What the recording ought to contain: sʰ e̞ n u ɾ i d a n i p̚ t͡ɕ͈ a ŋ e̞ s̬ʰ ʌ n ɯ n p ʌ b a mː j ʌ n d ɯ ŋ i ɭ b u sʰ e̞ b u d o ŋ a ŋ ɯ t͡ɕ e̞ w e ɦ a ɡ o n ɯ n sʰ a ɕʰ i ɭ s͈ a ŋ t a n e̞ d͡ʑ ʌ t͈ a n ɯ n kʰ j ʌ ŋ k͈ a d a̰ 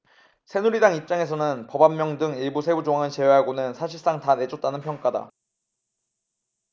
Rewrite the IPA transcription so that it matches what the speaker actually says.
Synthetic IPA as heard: sʰ e̞ n u ɾ i d a ŋ i p̚ t͡ɕ͈ a ŋ e̞ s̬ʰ ʌ n ɯ n p ʌ b a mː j ʌ ŋ d ɯ ŋ i ɭ b u sʰ e̞ b u d͡ʑ o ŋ a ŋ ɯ t͡ɕ e̞ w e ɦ a ɡ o n ɯ n sʰ a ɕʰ i ɭ s͈ a ŋ t a n e̞ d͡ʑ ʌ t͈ a n ɯ n pʰ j ʌ ŋ k͈ a d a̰